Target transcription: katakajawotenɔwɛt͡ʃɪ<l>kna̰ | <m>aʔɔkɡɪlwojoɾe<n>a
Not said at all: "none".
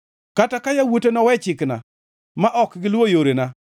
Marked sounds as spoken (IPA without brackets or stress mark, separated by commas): none, m, n